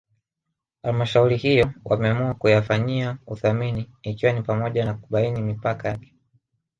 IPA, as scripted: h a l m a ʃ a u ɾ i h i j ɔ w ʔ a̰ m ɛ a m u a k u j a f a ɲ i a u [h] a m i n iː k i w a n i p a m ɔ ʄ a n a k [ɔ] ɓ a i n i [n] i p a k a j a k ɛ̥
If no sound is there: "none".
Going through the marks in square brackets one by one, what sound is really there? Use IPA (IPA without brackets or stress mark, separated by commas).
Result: θ, u, m